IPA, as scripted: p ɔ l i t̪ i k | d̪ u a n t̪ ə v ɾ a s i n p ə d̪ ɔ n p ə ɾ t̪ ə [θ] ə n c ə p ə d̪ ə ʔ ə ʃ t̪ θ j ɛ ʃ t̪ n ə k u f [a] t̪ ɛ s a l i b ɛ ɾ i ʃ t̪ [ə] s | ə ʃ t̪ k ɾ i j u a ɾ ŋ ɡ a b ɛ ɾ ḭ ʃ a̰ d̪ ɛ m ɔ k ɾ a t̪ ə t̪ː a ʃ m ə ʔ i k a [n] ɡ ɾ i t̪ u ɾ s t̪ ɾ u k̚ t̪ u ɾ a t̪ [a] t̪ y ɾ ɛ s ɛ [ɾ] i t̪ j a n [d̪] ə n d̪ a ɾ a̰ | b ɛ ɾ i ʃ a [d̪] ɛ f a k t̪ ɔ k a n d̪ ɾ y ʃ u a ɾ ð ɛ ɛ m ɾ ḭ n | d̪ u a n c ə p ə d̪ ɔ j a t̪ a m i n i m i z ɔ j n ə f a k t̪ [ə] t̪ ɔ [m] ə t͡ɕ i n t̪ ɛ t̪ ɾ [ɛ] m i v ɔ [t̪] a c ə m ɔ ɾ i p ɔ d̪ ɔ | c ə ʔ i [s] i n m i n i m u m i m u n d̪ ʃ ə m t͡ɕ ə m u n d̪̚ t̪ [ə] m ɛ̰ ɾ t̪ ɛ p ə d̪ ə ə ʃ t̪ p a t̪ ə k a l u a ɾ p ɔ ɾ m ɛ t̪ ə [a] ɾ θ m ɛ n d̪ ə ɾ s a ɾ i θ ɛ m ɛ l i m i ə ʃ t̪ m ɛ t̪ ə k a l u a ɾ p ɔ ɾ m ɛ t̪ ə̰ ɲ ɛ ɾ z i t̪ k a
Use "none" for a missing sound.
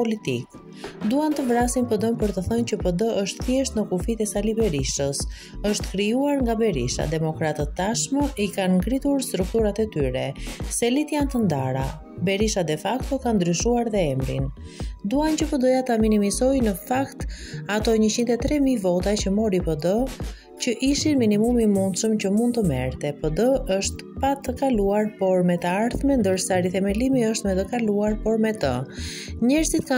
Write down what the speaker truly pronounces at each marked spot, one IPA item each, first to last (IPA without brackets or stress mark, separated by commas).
θ, i, ə, n, ɛ, l, t̪, d̪, a, ɲ, ɛ, t̪, ʃ, ə, a